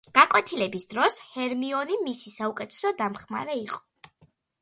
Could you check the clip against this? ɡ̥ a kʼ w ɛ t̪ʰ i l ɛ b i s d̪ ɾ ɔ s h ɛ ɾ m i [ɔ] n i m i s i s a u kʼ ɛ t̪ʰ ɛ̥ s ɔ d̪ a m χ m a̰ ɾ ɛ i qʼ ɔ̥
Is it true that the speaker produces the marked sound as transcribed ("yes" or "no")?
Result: yes